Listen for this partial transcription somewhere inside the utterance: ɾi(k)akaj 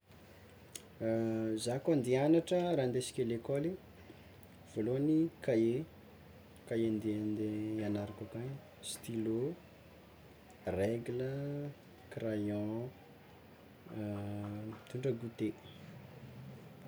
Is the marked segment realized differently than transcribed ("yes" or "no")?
no